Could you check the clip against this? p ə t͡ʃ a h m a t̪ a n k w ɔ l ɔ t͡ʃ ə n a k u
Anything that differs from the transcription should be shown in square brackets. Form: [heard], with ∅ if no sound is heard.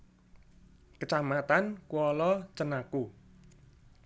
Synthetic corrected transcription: [k] ə t͡ʃ a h m a t̪ a n k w ɔ l ɔ t͡ʃ ə n a k u

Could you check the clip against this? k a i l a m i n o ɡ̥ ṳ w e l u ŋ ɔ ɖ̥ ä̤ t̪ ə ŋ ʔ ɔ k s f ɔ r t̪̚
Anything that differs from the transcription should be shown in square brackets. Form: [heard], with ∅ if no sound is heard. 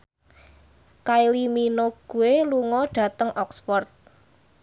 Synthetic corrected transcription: k a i l [i] m i n o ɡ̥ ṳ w e l u ŋ ɔ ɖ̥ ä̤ t̪ ə ŋ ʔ ɔ k s f ɔ r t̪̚

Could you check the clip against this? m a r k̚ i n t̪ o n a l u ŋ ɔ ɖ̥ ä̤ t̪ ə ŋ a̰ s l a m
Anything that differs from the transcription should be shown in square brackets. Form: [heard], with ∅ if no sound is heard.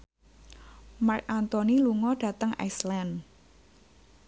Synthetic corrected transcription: m a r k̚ [a] n t̪ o n [i] l u ŋ ɔ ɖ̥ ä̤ t̪ ə ŋ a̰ s l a [n]

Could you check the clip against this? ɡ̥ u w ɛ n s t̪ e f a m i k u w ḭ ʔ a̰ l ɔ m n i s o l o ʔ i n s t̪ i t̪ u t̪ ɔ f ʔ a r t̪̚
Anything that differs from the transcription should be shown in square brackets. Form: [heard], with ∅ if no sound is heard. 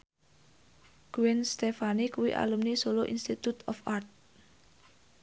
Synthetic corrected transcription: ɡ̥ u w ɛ n s t̪ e f a [n] i k u w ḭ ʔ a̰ l [u] m n i s o l o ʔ i n s t̪ i t̪ u t̪ ɔ f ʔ a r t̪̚

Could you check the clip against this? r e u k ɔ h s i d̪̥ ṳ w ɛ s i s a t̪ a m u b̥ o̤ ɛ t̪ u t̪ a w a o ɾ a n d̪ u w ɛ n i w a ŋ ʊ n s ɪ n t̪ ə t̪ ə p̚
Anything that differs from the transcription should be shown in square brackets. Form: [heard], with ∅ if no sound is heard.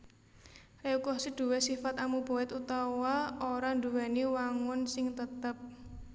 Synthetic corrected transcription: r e u k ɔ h s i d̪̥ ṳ w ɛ s i [f] a t̪ a m u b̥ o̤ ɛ t̪ u t̪ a w a o ɾ a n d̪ u w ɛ n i w a ŋ ʊ n s ɪ [ŋ] t̪ ə t̪ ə p̚

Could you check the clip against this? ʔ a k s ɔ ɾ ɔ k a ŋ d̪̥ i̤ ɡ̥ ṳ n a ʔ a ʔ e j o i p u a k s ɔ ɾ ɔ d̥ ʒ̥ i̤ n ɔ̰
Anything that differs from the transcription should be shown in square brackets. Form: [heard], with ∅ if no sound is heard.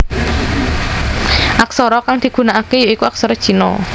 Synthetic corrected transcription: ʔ a k s ɔ ɾ ɔ k a ŋ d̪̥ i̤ ɡ̥ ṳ n a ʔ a [k] e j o i [k] u a k s ɔ ɾ ɔ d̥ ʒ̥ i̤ n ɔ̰

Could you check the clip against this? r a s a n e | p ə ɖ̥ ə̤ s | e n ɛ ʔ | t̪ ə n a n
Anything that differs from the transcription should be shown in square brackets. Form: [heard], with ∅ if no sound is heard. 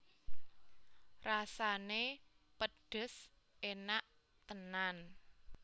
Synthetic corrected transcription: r a s a n e | p ə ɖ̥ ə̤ s | e n [a] ʔ | t̪ ə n a n

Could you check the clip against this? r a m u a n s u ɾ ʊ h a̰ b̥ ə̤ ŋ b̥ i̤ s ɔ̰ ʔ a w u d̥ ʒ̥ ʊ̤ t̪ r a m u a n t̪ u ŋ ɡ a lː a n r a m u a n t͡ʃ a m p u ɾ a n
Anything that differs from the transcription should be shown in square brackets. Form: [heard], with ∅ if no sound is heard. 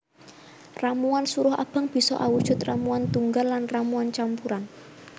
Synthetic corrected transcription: r a m u a n s u ɾ ʊ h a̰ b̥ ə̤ ŋ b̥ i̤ s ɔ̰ ʔ a w u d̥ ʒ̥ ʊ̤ t̪ r a m u a n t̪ u ŋ ɡ a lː a n r a m u a n t͡ʃ a m p u ɾ a n

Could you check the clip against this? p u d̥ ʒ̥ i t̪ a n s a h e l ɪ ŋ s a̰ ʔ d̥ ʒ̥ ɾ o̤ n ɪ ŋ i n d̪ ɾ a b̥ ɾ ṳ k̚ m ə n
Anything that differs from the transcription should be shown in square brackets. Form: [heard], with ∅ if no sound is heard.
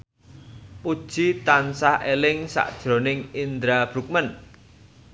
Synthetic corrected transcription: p u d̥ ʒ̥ i t̪ a n s a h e l ɪ ŋ s a̰ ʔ d̥ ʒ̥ ɾ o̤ n ɪ ŋ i n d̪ ɾ a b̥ ɾ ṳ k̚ m ə n

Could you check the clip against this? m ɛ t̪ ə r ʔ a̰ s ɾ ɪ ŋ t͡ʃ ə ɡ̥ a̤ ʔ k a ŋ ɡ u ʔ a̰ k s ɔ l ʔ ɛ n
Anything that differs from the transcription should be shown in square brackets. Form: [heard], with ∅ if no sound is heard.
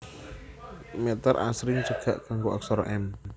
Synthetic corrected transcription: m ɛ t̪ ə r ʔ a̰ s ɾ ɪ ŋ t͡ʃ ə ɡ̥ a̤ ʔ k a ŋ ɡ [o] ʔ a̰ k s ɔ [ɾ] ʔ ɛ n

